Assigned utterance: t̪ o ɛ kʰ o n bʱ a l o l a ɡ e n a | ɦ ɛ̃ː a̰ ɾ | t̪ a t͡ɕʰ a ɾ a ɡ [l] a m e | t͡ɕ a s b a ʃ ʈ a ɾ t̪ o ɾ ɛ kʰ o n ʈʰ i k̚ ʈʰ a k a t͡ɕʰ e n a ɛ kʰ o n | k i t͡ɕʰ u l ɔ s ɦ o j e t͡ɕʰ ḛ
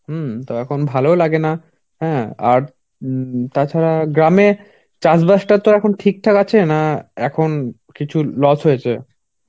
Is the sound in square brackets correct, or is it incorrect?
incorrect